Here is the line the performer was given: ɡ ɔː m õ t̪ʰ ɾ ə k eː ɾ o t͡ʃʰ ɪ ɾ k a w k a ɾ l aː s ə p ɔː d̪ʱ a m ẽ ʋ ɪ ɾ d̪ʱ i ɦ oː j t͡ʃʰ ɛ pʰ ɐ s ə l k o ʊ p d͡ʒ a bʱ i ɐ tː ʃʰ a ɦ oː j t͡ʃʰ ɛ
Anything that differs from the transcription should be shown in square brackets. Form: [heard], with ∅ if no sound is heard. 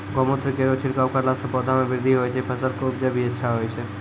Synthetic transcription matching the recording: ɡ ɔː m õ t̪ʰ ɾ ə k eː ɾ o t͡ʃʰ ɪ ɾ k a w k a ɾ l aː s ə p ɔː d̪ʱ a m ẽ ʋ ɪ ɾ d̪ʱ i ɦ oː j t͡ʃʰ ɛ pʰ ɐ s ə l k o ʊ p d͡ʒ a bʱ i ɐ tː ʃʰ a ɦ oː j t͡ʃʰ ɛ